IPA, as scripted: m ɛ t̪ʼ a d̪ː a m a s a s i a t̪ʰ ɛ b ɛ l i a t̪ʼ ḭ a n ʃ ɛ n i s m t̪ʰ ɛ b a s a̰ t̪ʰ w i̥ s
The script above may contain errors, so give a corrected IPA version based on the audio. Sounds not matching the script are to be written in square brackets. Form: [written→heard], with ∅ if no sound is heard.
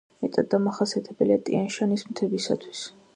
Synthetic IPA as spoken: m ɛ t̪ʼ a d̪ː a m a [s→χ] a s i a t̪ʰ ɛ b ɛ l i a t̪ʼ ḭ a n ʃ [ɛ→a] n i s m t̪ʰ ɛ b [a→i] s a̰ t̪ʰ w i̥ s